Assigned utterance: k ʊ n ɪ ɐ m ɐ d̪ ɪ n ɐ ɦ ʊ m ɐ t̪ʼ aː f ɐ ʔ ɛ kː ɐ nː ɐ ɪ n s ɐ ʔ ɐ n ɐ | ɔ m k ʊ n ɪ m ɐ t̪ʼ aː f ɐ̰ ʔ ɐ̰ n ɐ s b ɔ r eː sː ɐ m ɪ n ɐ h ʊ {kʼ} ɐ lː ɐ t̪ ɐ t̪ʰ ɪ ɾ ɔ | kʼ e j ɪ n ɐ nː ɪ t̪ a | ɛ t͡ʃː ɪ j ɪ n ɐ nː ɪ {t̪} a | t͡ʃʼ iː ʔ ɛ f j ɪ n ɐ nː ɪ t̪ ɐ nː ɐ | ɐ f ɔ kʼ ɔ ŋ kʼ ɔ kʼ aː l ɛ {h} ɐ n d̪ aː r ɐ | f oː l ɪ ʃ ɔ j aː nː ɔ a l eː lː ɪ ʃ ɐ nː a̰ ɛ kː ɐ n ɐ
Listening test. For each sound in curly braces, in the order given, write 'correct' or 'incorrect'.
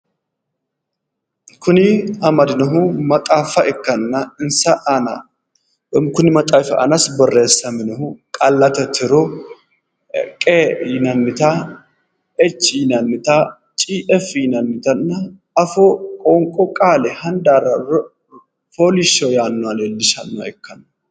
correct, correct, correct

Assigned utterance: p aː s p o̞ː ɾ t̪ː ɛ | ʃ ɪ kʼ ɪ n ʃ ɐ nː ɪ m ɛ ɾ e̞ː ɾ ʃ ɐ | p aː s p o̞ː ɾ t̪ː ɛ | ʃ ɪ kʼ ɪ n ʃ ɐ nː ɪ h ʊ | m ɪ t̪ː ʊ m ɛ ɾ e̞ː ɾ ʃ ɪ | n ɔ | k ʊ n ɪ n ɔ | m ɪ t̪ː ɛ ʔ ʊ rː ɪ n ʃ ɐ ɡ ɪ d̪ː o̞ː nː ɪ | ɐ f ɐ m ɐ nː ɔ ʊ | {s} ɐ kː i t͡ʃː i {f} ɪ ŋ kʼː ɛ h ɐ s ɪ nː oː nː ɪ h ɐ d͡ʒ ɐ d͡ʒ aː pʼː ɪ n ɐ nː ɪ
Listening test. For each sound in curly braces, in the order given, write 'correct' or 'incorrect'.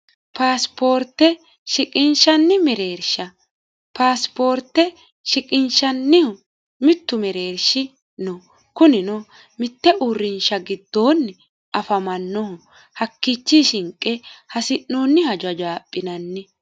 incorrect: h, incorrect: ʃ

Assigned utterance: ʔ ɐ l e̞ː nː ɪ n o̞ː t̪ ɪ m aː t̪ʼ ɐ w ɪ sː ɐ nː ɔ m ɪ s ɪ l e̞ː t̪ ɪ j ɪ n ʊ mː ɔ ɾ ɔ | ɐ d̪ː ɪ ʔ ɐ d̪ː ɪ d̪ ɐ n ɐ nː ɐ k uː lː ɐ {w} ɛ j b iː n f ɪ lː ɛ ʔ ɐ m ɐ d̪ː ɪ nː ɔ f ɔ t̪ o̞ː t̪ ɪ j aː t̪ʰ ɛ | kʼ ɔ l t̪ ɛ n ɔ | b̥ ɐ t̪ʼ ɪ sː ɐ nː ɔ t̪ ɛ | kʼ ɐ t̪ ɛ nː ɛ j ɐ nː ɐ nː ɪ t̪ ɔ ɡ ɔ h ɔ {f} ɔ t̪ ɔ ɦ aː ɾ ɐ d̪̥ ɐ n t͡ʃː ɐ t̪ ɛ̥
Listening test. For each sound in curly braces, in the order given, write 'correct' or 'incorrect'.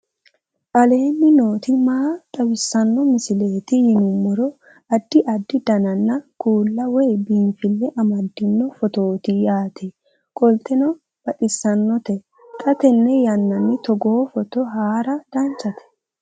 correct, correct

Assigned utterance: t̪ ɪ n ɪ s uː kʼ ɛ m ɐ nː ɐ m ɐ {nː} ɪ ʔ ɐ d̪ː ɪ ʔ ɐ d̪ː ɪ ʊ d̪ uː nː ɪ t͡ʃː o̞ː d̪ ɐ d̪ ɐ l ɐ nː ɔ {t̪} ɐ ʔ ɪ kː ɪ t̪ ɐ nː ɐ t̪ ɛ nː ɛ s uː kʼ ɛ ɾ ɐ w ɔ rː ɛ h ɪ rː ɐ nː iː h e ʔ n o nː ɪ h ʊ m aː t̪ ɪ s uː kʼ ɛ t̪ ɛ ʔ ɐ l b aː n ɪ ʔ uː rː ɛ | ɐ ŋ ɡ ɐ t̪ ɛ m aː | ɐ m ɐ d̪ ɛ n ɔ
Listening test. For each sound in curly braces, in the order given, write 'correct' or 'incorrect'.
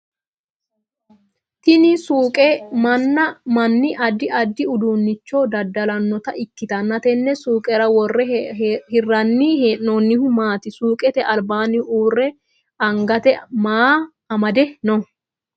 correct, correct

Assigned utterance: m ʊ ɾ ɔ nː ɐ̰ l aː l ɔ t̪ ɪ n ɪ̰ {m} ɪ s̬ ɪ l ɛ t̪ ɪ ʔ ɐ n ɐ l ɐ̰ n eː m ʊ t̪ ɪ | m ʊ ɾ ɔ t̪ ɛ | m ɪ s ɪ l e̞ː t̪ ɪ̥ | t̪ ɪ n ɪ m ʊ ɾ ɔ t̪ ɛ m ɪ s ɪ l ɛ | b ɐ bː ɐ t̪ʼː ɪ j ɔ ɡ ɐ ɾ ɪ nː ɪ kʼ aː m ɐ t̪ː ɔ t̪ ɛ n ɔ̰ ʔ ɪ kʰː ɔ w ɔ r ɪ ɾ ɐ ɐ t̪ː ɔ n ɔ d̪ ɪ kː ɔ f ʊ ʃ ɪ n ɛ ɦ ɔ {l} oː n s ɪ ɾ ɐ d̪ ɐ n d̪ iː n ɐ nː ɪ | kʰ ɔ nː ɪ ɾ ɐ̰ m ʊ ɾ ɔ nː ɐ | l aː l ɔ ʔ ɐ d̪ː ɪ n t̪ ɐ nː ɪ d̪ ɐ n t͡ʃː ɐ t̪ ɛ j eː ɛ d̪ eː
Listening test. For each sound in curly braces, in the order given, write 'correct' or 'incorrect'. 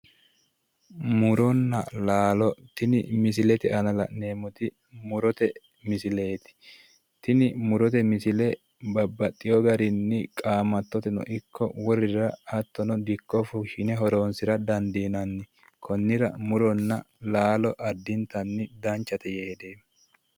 correct, incorrect: ɾ

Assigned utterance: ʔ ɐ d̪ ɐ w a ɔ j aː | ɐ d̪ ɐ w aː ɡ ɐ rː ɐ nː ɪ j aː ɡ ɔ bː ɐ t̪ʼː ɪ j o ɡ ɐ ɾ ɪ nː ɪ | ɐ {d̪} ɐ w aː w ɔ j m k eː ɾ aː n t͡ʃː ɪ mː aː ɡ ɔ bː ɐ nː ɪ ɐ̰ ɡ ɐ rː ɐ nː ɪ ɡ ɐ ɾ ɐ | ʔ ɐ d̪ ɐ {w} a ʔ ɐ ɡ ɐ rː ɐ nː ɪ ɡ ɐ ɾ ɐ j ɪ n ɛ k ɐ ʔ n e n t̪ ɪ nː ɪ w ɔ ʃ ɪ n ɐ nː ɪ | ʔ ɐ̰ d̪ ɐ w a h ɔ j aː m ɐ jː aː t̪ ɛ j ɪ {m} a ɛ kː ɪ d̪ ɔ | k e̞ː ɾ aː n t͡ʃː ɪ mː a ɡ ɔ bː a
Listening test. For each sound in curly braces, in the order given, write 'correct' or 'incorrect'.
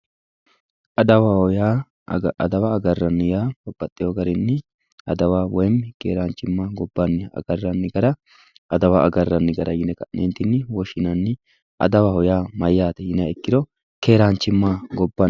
correct, correct, incorrect: n

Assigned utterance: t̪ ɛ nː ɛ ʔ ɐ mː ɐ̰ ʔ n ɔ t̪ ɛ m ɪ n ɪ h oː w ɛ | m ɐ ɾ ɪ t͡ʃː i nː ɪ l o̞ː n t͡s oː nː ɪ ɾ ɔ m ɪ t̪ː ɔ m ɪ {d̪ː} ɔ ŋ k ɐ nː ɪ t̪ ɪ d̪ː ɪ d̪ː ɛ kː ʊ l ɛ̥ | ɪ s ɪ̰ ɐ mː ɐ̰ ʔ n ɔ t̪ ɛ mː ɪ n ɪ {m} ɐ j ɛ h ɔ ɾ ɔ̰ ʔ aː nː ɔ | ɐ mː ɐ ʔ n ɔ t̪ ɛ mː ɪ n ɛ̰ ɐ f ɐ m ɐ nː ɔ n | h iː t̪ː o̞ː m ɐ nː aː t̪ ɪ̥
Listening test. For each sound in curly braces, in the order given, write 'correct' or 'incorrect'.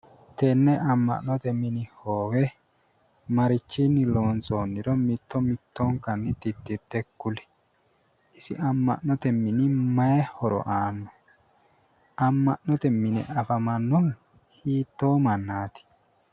incorrect: t̪ː, correct

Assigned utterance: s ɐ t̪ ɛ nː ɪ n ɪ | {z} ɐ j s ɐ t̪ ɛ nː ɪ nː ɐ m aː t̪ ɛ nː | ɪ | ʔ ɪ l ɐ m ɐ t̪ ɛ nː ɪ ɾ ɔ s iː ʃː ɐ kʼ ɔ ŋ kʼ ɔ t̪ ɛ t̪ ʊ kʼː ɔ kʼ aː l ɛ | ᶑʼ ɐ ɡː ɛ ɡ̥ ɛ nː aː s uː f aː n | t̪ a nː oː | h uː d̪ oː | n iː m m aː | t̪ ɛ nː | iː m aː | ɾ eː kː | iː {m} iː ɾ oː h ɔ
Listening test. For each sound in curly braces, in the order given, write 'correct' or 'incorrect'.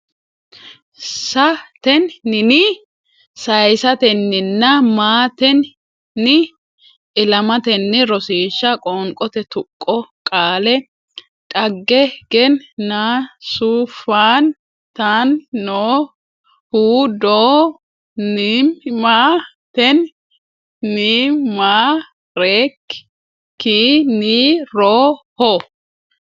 incorrect: s, incorrect: n

